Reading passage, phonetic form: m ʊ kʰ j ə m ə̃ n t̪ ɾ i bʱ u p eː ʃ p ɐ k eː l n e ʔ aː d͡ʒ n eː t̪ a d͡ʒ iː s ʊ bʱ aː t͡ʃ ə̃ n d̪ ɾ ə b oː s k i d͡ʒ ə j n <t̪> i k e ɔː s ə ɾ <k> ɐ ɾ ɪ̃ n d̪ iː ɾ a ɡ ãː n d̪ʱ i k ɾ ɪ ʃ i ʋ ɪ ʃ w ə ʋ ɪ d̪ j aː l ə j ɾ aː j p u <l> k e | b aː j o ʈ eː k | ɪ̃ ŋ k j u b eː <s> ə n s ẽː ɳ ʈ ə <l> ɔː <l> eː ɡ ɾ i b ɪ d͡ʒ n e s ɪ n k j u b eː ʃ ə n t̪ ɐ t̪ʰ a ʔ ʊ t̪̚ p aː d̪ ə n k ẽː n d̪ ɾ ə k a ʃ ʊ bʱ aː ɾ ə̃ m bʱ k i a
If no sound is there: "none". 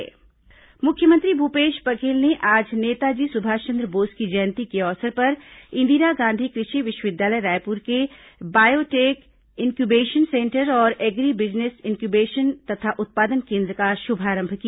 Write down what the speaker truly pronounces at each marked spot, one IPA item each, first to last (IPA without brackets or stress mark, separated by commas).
t̪, p, ɾ, ʃ, ɾ, ɾ